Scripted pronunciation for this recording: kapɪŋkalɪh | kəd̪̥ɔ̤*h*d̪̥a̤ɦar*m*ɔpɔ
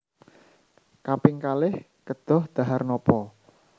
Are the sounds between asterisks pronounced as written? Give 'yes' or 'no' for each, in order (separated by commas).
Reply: yes, no